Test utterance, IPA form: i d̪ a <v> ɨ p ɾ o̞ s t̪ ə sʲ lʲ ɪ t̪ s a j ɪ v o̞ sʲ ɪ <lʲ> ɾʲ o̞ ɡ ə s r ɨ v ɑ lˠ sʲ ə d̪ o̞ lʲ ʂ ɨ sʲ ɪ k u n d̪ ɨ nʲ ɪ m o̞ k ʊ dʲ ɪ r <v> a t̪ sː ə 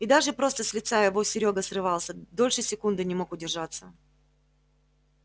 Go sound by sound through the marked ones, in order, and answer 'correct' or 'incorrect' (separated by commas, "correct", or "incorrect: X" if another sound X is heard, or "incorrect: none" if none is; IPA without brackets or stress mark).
incorrect: ʐ, incorrect: none, incorrect: ʐ